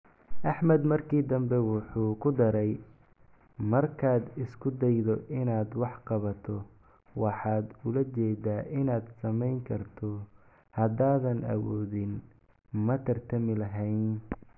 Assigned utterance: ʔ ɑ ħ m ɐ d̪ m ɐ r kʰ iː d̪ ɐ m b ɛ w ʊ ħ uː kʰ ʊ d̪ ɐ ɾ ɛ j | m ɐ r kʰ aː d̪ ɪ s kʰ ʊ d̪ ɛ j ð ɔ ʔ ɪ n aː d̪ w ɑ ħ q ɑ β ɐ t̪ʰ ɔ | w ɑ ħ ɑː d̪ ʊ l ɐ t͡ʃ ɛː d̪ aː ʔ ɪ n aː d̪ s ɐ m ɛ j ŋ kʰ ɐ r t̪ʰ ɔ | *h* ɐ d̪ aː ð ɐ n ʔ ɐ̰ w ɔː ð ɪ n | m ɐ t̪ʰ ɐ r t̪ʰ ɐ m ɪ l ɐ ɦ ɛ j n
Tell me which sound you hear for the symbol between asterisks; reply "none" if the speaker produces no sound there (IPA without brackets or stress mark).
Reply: h